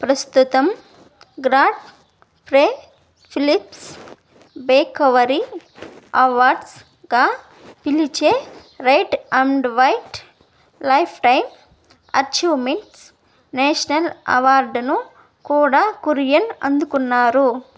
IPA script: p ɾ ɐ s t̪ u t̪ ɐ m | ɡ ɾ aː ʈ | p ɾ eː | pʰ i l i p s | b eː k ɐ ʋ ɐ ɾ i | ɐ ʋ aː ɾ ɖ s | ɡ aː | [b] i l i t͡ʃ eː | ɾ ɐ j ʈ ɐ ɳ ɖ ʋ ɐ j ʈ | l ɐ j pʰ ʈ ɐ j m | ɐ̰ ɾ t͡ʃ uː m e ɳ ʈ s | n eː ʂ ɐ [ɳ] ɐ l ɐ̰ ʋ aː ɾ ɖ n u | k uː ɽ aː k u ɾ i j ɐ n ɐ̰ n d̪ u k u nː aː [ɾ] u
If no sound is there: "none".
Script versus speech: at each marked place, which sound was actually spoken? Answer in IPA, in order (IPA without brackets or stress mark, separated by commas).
p, n, ɾ